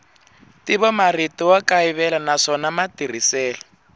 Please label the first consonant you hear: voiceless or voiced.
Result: voiceless